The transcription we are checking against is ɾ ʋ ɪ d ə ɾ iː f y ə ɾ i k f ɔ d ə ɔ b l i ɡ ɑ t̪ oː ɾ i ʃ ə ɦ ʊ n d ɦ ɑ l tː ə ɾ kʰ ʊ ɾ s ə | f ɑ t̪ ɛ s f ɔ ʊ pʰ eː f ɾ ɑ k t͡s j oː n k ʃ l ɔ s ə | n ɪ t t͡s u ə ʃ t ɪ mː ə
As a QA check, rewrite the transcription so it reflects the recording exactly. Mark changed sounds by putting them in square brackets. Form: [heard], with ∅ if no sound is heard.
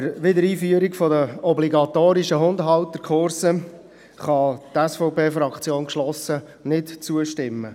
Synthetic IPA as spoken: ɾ ʋ ɪ d ə ɾ iː f y ə ɾ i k f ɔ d ə ɔ b l i ɡ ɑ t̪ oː ɾ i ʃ ə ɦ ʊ n d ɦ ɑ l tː ə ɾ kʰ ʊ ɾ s ə | [χ] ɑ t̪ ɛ s f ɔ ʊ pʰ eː f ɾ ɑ k t͡s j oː n k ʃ l ɔ s ə | n ɪ t t͡s u ə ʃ t ɪ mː ə